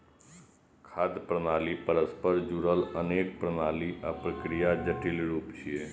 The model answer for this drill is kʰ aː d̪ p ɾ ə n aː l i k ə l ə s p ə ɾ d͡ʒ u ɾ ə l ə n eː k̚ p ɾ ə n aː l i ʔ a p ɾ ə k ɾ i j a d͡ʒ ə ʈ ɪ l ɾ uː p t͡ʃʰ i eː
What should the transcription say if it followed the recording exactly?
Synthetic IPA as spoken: kʰ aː d̪ p ɾ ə n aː l i p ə ɾ ə s p ə ɾ d͡ʒ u ɾ ə l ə n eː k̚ p ɾ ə n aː l i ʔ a p ɾ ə k ɾ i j a d͡ʒ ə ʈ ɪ l ɾ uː p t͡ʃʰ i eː

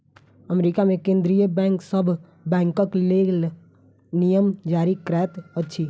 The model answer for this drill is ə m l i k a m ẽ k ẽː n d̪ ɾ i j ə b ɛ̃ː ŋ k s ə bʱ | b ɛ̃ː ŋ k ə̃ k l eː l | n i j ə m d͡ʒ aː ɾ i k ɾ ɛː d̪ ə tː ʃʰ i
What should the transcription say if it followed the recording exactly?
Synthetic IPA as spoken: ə m ɾ i k a m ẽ k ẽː n d̪ ɾ i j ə b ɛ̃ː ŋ k s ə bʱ | b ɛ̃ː ŋ k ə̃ k l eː l | n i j ə m d͡ʒ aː ɾ i k ɾ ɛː t̪ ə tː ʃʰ i

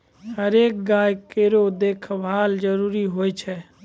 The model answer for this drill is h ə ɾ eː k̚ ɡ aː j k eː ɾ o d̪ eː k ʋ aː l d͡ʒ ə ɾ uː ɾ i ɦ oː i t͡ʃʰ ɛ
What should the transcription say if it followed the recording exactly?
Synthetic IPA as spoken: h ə ɾ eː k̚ ɡ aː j k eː ɾ o d̪ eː kʰ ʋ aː l d͡ʒ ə ɾ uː ɾ i ɦ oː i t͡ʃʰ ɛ

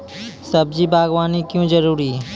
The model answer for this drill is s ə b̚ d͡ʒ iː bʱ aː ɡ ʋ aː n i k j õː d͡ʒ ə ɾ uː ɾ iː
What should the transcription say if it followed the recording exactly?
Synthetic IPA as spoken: s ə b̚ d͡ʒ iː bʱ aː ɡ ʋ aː n i k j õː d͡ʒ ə ɾ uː ɾ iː

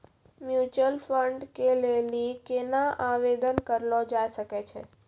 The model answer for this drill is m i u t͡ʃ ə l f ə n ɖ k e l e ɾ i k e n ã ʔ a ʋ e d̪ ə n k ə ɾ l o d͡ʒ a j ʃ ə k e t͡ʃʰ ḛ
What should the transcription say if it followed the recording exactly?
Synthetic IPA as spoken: m j u t͡ʃ ə l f ə ɳ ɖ k e l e l i k e n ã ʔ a ʋ e d̪ ə n k ə ɾ l o d͡ʒ a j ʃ ə k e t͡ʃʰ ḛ

